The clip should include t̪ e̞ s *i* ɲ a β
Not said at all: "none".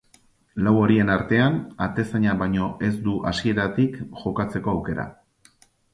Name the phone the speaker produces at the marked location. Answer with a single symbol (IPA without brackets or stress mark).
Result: a